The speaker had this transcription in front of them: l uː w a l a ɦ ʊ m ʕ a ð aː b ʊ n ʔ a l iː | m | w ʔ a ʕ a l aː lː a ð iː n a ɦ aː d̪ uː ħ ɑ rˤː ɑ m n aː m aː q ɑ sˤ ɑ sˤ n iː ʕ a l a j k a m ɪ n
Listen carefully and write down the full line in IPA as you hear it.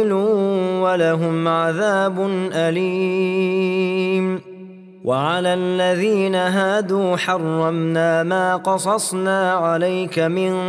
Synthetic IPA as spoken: l uː w a l a ɦ ʊ m ʕ a ð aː b ʊ n ʔ a l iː | m | w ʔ a ʕ a l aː lː a ð iː n a ɦ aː d̪ uː ħ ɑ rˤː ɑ m n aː m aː q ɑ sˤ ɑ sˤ n aː ʕ a l a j k a m ɪ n